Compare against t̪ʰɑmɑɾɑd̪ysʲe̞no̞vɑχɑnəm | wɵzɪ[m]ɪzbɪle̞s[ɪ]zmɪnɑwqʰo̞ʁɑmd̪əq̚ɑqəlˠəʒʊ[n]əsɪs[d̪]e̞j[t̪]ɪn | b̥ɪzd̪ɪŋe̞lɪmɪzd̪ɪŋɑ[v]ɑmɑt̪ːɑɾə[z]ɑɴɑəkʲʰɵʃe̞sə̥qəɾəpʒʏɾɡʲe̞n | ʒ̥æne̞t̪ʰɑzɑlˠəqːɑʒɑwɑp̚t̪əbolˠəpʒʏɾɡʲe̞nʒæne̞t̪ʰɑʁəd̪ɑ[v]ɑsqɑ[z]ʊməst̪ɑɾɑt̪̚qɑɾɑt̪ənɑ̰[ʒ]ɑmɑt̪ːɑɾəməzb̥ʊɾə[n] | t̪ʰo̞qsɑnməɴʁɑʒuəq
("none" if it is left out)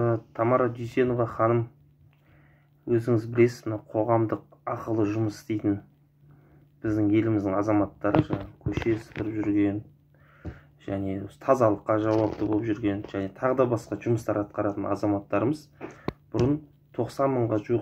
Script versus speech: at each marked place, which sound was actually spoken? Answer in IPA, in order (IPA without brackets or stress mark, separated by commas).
ŋ, ɪ, m, t̪, t̪, z, ʒ, b, ʒ, z, n